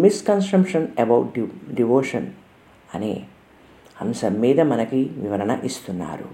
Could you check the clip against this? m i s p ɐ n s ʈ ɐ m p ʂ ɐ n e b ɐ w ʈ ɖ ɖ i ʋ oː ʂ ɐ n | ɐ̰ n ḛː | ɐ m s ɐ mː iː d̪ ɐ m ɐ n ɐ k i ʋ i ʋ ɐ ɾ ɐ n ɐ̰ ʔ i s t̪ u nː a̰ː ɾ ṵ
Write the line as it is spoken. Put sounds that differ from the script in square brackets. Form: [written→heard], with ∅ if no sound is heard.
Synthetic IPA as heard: m i s [p→k] ɐ n s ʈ ɐ m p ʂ ɐ n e b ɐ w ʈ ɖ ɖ i ʋ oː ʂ ɐ n | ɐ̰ n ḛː | ɐ m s ɐ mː iː d̪ ɐ m ɐ n ɐ k i ʋ i ʋ ɐ ɾ ɐ n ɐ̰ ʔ i s t̪ u nː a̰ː ɾ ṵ